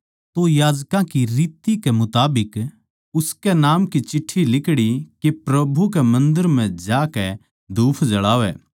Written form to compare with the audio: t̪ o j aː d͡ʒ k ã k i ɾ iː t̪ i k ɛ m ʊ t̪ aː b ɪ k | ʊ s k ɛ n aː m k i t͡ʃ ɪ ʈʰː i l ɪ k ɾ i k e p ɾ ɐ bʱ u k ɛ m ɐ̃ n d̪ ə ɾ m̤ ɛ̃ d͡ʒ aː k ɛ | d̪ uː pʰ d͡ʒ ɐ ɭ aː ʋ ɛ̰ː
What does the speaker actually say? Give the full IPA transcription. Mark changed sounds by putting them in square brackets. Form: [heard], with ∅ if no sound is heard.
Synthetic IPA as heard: t̪ o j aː d͡ʒ k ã k i ɾ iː t̪ i k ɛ m ʊ t̪ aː b ɪ k | ʊ s k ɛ n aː m k i t͡ʃ ɪ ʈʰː i l ɪ k [ɽ] i k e p ɾ ɐ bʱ u k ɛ m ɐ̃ n d̪ ə ɾ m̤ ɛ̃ d͡ʒ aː k ɛ | d̪ uː pʰ d͡ʒ ɐ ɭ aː ʋ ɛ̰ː